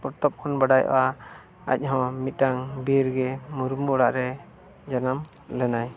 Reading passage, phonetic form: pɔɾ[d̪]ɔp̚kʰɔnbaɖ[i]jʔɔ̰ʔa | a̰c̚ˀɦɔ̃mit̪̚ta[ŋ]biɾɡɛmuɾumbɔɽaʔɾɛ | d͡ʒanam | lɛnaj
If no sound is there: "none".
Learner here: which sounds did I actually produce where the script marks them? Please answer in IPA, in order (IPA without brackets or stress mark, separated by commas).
t̪, a, ŋ